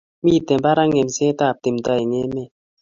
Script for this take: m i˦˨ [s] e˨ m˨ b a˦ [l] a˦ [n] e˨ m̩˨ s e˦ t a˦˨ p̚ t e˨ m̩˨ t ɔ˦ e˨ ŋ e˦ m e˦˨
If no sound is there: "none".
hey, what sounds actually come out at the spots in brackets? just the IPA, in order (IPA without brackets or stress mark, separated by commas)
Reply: t, ɾ, ŋ